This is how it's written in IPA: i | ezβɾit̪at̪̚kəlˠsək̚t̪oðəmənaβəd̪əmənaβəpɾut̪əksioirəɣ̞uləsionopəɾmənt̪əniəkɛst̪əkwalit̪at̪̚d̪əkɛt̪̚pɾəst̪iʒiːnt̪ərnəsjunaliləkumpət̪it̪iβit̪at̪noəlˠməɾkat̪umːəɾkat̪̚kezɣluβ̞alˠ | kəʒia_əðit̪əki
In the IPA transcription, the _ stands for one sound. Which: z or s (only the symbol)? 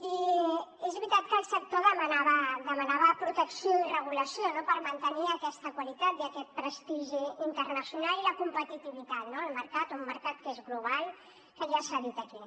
s